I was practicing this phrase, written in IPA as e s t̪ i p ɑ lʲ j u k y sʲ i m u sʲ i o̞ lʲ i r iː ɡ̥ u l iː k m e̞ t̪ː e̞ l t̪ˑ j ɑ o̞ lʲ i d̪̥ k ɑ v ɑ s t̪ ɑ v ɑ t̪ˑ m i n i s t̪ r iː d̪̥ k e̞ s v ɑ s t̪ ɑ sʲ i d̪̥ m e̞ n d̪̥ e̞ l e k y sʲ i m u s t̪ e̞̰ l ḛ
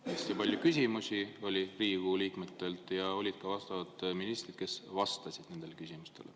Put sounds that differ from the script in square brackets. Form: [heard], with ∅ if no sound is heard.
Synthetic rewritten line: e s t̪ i p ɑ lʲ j u k y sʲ i m u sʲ i o̞ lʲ i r iː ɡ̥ u l iː k m e̞ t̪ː e̞ l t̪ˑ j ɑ o̞ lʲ i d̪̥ k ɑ v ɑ s t̪ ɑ v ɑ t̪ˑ m i n i s t̪ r [i] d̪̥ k e̞ s v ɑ s t̪ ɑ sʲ i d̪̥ [n] e̞ n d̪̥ e̞ l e k y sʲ i m u s t̪ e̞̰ l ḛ